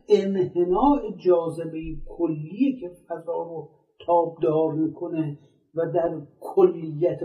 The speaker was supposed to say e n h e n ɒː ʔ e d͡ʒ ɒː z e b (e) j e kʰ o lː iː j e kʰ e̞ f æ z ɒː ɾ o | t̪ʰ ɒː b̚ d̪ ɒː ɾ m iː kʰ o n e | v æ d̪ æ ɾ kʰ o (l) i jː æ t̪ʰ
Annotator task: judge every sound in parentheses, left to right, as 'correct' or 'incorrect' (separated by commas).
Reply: correct, incorrect